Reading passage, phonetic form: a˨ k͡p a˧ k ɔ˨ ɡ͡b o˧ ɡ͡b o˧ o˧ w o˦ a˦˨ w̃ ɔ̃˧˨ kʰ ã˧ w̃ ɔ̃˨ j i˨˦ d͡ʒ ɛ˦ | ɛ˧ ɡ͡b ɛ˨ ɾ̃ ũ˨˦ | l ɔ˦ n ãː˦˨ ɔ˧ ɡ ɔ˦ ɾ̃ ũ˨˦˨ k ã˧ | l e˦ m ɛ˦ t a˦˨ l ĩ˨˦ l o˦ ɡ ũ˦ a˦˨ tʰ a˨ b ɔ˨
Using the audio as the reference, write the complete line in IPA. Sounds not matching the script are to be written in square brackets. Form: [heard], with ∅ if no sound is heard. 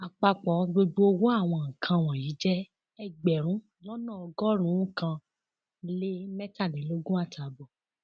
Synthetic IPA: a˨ k͡p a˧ [k͡p] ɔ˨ ɡ͡b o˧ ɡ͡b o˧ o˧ w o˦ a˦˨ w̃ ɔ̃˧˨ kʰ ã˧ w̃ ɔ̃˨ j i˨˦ d͡ʒ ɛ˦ | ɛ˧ ɡ͡b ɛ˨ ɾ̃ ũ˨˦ | l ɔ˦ n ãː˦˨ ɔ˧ ɡ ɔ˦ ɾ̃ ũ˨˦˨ k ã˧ | l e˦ m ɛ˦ t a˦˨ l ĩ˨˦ l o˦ ɡ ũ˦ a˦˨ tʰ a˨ b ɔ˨